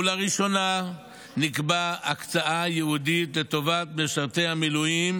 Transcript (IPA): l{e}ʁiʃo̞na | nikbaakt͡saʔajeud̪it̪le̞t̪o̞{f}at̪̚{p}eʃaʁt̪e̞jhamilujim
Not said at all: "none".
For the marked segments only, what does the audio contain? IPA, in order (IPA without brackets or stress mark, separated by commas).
a, v, b